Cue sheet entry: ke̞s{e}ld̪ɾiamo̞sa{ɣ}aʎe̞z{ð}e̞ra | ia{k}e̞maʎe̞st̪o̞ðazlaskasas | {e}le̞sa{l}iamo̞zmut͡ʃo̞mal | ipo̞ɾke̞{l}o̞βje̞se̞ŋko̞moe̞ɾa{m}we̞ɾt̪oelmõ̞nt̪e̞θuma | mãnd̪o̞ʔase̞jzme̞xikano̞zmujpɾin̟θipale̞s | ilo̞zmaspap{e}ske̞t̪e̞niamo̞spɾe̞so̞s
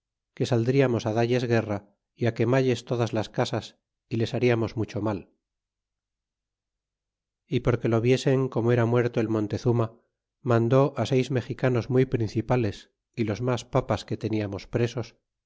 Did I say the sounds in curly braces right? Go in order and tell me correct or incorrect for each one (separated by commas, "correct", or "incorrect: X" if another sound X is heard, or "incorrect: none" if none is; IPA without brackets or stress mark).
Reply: incorrect: a, incorrect: ð, incorrect: ɣ, correct, incorrect: i, incorrect: ɾ, correct, correct, incorrect: a